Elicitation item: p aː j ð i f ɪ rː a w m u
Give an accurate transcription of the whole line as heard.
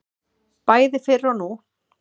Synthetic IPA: p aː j ð ɪ f ɪ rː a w n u